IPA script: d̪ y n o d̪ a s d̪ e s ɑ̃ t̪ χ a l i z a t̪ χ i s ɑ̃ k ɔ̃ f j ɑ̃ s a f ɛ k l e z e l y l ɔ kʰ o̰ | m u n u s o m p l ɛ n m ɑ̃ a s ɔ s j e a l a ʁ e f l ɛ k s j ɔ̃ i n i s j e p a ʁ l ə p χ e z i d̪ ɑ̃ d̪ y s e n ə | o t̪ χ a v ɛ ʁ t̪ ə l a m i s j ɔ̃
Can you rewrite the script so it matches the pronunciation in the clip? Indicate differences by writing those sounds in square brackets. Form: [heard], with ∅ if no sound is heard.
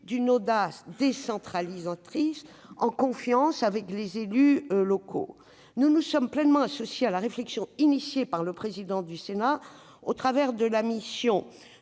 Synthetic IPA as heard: d̪ y n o d̪ a s d̪ e s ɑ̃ t̪ χ a l i z a t̪ χ i s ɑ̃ k ɔ̃ f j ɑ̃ s a [v] ɛ k l e z e l y l ɔ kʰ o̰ | [n] u n u s [ɔ] m p l ɛ n m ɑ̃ a s ɔ s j e a l a ʁ e f l ɛ k s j ɔ̃ i n i s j e p a ʁ l ə p χ e z i d̪ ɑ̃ d̪ y s e n [a] | o t̪ χ a v ɛ ʁ [d̪] ə l a m i s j ɔ̃

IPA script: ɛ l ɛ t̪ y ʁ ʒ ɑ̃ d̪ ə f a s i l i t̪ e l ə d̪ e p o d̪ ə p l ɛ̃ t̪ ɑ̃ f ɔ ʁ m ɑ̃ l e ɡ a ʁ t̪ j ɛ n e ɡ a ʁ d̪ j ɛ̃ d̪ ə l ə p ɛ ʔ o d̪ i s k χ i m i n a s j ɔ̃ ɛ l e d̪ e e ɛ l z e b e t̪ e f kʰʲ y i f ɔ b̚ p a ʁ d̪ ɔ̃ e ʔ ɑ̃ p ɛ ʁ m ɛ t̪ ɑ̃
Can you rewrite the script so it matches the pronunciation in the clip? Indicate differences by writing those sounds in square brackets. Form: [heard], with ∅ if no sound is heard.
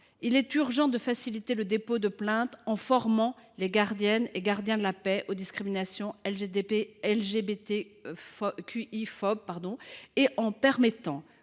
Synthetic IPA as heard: [i] l ɛ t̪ y ʁ ʒ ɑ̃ d̪ ə f a s i l i t̪ e l ə d̪ e p o d̪ ə p l ɛ̃ t̪ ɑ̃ f ɔ ʁ m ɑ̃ l e ɡ a ʁ [d̪] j ɛ n e ɡ a ʁ d̪ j ɛ̃ d̪ ə l [a] p ɛ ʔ o d̪ i s k χ i m i n a s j ɔ̃ ɛ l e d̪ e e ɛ l [ʒ] e b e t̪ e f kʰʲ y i f ɔ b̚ p a ʁ d̪ ɔ̃ e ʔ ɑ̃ p ɛ ʁ m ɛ t̪ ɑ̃

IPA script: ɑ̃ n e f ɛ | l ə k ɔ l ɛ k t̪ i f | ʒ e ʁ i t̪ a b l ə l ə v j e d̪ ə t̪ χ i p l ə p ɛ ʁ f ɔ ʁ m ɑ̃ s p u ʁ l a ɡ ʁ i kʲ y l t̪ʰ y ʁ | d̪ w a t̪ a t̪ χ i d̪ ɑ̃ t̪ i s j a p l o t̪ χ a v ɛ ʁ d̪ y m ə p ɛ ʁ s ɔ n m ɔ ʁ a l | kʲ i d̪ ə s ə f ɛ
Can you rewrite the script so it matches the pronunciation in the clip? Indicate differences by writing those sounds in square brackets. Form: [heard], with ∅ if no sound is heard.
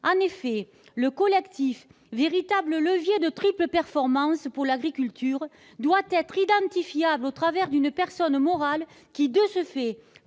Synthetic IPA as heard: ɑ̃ n e f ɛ | l ə k ɔ l ɛ k t̪ i f | [v] e ʁ i t̪ a b l ə l ə v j e d̪ ə t̪ χ i p l ə p ɛ ʁ f ɔ ʁ m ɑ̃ s p u ʁ l a ɡ ʁ i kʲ y l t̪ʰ y ʁ | d̪ w a t̪ [ɛ] t̪ χ i d̪ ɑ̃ t̪ i [f] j a [b] l o t̪ χ a v ɛ ʁ d̪ y [n] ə p ɛ ʁ s ɔ n m ɔ ʁ a l | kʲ i d̪ ə s ə f ɛ

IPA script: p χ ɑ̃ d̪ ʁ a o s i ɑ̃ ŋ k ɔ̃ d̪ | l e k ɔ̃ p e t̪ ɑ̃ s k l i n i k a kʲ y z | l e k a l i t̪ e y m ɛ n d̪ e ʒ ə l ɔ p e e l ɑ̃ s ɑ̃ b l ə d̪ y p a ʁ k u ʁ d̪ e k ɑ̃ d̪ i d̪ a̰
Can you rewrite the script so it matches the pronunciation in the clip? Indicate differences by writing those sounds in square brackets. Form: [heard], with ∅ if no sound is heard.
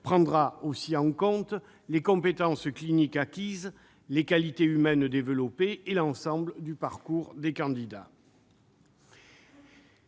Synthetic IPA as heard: p χ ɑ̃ d̪ ʁ a o s i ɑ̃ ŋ k ɔ̃ [t̪] | l e k ɔ̃ p e t̪ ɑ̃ s k l i n i k a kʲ [i] z | l e k a l i t̪ e y m ɛ n d̪ e [v] ə l ɔ p e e l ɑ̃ s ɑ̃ b l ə d̪ y p a ʁ k u ʁ d̪ e k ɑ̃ d̪ i d̪ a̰

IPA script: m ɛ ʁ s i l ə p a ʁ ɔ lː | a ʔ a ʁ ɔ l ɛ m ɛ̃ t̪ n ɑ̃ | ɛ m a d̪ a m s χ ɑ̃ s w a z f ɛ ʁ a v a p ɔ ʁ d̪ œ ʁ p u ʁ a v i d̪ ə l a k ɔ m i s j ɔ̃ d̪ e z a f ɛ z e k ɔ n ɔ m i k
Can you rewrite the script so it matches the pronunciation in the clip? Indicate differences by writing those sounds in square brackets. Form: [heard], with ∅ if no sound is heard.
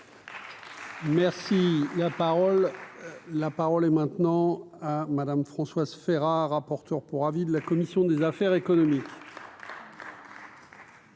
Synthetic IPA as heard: m ɛ ʁ s i l [a] p a ʁ ɔ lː | a [p] a ʁ ɔ l ɛ m ɛ̃ t̪ n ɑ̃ | [a] m a d̪ a m [f] χ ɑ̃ s w a z f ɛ ʁ a [ʁ] a p ɔ ʁ [t̪] œ ʁ p u ʁ a v i d̪ ə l a k ɔ m i s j ɔ̃ d̪ e z a f ɛ [ʁ] e k ɔ n ɔ m i k

